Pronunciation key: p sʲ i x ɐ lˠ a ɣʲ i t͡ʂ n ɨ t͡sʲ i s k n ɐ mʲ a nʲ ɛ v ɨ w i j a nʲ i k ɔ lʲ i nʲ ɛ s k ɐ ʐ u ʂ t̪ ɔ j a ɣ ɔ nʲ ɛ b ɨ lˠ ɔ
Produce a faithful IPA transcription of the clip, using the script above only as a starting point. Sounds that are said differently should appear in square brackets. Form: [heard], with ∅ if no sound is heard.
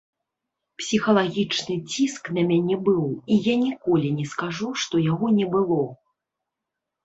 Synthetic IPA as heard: p sʲ i x ɐ lˠ a ɣʲ i t͡ʂ n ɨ t͡sʲ i s k n ɐ mʲ a nʲ ɛ [b] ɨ w i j a nʲ i k ɔ lʲ i nʲ ɛ s k [a] ʐ u ʂ t̪ ɔ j a ɣ ɔ nʲ ɛ b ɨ lˠ ɔ